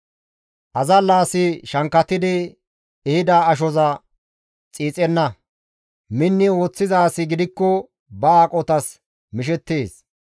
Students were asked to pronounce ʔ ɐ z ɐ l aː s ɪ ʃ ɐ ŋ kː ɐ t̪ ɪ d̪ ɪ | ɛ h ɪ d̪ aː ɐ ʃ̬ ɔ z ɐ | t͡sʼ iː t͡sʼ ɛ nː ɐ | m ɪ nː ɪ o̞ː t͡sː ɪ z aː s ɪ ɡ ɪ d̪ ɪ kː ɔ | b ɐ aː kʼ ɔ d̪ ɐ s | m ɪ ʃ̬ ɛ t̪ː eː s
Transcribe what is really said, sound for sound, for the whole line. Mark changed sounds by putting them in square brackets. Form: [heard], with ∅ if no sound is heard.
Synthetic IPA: ʔ ɐ z ɐ l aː s ɪ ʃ ɐ ŋ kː ɐ t̪ ɪ d̪ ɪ | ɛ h ɪ d̪ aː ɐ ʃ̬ ɔ z ɐ | t͡sʼ iː t͡sʼ ɛ nː ɐ | m ɪ nː ɪ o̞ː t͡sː ɪ z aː s ɪ ɡ ɪ d̪ ɪ kː ɔ | b ɐ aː kʼ ɔ [t̪] ɐ s | m ɪ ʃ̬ ɛ t̪ː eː s